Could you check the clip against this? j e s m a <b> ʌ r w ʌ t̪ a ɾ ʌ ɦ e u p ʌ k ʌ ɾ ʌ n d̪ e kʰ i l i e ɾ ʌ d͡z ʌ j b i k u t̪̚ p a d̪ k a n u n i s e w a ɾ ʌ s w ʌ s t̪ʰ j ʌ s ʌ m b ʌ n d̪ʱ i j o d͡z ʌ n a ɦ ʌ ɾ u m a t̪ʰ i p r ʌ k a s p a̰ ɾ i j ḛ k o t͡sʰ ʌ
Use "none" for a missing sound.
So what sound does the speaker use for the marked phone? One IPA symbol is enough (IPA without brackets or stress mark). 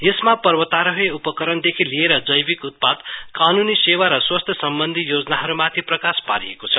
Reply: p